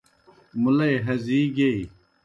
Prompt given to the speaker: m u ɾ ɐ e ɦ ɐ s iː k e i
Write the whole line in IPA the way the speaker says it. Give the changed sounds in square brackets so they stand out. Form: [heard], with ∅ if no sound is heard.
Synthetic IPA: m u [l] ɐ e ɦ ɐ [z] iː [ɡ] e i